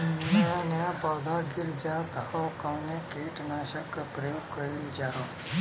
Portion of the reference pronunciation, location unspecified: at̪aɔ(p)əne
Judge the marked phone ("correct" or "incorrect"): incorrect